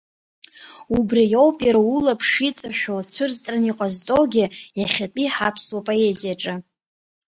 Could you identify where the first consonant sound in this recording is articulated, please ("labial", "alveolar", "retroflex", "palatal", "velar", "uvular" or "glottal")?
labial